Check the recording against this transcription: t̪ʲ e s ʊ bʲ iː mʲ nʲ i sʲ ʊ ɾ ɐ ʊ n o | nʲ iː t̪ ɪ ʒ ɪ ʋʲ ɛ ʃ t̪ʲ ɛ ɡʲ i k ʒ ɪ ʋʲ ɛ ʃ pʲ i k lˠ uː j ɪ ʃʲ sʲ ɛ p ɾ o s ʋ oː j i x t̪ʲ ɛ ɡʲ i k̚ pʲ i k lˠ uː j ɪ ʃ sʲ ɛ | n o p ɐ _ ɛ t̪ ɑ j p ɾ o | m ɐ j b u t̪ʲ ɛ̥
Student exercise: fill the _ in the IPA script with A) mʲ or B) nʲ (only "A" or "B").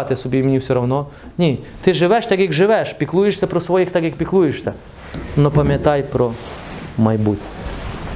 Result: A